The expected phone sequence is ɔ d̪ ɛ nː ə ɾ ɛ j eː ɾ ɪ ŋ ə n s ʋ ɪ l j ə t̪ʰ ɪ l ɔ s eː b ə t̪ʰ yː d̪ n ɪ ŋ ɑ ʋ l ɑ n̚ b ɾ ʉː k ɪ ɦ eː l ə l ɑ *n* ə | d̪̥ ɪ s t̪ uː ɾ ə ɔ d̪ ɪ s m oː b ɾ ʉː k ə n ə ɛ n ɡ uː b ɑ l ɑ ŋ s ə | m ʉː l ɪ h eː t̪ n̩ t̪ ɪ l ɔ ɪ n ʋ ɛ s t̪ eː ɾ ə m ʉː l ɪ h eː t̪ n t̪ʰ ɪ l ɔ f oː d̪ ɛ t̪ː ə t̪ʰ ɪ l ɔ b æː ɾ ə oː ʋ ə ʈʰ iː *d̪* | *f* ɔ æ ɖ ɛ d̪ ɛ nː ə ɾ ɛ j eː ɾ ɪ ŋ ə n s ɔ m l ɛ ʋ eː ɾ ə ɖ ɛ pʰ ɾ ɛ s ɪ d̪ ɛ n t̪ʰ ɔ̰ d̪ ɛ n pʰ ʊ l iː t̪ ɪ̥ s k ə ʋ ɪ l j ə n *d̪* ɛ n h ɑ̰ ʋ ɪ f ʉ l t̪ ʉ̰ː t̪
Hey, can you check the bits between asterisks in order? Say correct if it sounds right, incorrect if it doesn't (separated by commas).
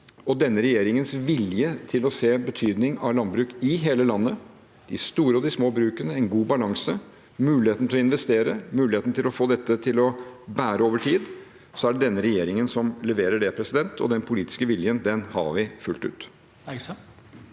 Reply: incorrect, correct, incorrect, correct